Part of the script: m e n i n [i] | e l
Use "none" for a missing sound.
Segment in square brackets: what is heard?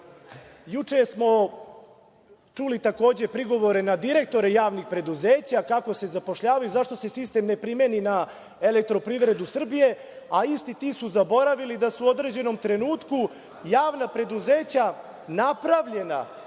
a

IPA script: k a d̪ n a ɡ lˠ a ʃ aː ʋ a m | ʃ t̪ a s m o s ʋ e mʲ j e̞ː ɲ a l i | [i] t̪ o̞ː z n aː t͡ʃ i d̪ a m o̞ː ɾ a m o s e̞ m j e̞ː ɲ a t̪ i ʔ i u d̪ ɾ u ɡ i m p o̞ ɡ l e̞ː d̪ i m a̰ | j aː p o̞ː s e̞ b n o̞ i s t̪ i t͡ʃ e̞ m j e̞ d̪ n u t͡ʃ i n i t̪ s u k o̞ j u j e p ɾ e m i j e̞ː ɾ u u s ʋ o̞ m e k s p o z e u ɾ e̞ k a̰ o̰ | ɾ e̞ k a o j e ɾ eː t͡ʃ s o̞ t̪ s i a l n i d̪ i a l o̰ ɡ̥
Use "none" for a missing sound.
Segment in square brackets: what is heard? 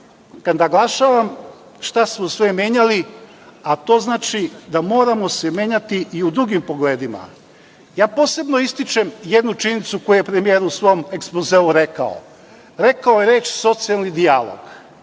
a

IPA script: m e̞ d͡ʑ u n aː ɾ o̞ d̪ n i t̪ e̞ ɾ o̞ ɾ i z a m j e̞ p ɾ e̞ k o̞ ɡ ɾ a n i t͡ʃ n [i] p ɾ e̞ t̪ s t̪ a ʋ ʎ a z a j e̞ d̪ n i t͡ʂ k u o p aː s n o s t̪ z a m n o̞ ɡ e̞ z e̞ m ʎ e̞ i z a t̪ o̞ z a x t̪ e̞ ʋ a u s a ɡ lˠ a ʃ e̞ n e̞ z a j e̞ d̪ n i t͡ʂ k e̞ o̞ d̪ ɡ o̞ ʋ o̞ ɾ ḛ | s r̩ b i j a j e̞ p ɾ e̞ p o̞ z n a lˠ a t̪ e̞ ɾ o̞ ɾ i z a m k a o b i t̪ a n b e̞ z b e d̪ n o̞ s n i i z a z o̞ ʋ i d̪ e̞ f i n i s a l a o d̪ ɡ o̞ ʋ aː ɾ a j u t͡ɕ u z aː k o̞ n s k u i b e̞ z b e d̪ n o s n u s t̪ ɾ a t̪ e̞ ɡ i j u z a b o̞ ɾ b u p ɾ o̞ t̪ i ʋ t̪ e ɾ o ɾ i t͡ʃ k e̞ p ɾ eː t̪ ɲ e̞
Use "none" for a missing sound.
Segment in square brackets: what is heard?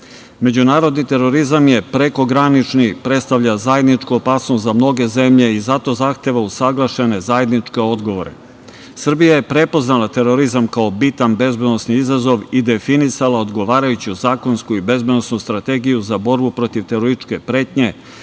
i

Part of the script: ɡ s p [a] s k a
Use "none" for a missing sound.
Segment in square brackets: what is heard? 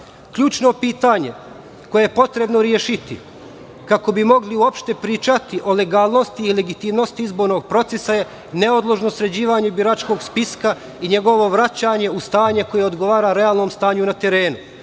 i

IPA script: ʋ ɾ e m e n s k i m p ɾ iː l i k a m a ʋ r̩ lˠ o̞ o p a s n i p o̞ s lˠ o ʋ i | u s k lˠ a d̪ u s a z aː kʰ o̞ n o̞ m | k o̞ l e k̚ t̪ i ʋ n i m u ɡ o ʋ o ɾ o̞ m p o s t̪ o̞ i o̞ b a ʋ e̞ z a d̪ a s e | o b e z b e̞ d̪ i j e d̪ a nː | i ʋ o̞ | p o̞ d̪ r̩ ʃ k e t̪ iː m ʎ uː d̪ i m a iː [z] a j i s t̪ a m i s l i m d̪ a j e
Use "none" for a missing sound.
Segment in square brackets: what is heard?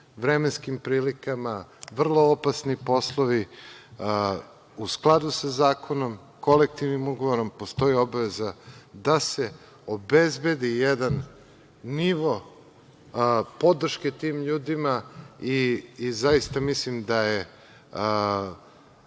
z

